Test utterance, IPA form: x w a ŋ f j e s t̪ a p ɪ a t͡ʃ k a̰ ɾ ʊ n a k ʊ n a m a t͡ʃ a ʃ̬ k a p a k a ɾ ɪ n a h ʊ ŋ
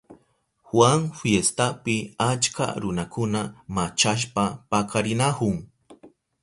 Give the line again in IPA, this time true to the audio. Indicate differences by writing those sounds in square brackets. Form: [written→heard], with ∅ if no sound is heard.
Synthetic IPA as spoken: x w a ŋ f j e s t̪ a p ɪ a t͡ʃ k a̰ ɾ ʊ n a k ʊ n a m a t͡ʃ a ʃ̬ [k→p] a p a k a ɾ ɪ n a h ʊ ŋ